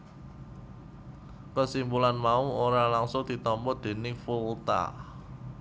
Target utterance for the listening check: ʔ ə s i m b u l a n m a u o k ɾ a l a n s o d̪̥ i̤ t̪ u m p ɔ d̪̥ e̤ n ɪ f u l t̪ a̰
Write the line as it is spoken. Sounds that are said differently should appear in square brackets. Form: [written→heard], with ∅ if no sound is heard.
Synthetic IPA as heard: [ʔ→k] ə s i m b u l a n m a u o [k→∅] ɾ a l a [n→ŋ] s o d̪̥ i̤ t̪ [u→ɔ] m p ɔ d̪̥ e̤ n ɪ f u l t̪ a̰